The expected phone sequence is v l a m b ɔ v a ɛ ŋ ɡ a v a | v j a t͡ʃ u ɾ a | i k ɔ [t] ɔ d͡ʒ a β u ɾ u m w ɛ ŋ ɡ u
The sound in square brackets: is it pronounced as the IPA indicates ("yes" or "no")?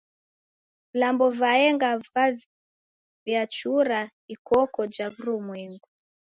no